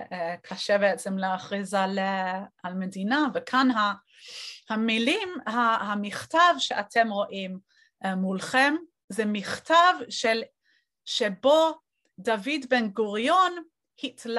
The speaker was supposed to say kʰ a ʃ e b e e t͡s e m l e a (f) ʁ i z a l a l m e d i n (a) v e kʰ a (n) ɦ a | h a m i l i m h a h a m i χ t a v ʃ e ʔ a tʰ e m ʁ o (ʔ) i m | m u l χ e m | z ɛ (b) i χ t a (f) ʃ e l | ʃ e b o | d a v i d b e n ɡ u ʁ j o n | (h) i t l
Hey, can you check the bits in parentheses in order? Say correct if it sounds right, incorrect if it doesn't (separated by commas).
incorrect, correct, correct, correct, incorrect, incorrect, correct